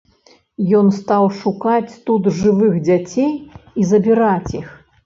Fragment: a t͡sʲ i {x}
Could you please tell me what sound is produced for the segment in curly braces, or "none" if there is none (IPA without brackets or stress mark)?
x